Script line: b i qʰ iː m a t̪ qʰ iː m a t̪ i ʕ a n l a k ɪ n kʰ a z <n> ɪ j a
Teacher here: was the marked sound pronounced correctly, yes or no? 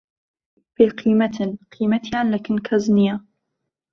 yes